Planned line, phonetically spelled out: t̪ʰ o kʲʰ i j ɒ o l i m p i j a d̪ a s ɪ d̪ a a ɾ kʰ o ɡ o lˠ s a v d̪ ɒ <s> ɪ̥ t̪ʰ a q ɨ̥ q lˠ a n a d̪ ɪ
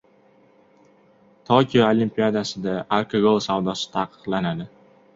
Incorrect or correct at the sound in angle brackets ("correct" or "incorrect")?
correct